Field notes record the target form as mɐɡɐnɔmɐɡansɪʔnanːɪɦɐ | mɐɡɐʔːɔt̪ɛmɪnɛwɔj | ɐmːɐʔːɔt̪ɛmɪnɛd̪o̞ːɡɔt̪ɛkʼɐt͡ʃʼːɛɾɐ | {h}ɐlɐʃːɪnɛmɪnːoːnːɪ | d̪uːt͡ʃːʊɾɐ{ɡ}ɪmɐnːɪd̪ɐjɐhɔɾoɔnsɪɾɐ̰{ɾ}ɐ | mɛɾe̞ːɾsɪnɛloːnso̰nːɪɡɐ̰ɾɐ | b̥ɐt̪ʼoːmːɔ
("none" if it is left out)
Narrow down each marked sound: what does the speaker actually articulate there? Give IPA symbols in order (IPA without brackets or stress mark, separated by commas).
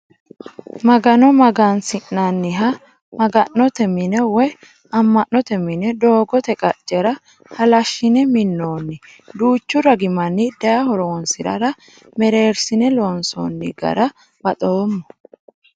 h, ɡ, ɾ